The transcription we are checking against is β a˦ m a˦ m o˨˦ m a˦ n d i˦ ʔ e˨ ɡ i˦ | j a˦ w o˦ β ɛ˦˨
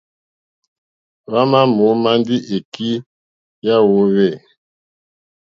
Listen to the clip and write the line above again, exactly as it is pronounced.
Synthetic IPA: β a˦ m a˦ m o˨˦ m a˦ n d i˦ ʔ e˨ k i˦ | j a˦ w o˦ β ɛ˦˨